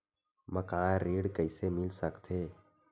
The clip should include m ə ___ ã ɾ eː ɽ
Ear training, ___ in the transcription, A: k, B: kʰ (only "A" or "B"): A